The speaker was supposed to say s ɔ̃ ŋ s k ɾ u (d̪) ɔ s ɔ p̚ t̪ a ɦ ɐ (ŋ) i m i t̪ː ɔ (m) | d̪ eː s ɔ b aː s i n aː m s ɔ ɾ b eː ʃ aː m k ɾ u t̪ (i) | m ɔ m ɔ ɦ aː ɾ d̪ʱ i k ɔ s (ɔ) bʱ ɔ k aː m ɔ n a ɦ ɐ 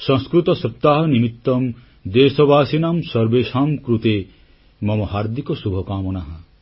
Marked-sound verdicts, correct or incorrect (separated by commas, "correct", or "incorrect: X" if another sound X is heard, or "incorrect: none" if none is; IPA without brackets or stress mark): incorrect: t̪, incorrect: n, correct, incorrect: e, incorrect: u